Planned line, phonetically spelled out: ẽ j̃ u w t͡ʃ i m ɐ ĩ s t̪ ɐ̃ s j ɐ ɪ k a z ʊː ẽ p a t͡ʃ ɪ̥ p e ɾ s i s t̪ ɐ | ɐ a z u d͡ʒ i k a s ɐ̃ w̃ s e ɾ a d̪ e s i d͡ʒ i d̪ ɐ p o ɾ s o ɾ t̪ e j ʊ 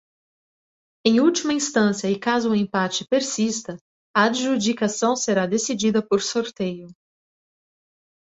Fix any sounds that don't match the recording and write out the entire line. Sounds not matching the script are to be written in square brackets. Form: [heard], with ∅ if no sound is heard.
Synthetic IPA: ẽ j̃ u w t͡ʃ i m ɐ ĩ s t̪ ɐ̃ s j ɐ ɪ k a z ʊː ẽ p a t͡ʃ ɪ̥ p e ɾ s i s t̪ ɐ | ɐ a [ʒ] u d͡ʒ i k a s ɐ̃ w̃ s e ɾ a d̪ e s i d͡ʒ i d̪ ɐ p o ɾ s o ɾ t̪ e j ʊ